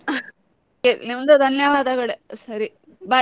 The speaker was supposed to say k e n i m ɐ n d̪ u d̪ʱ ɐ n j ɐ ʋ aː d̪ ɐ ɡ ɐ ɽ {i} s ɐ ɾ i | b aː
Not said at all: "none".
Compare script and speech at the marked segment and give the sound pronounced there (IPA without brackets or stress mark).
e